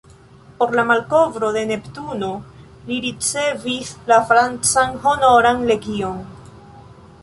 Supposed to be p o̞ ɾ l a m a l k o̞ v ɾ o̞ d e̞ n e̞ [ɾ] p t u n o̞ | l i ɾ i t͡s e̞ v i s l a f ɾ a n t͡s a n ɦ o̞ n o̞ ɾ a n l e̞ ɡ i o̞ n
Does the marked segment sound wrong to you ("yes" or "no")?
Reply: yes